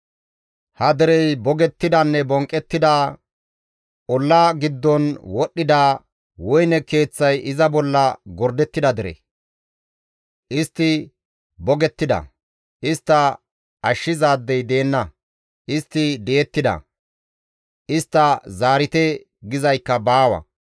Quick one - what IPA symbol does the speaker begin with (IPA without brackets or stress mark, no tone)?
h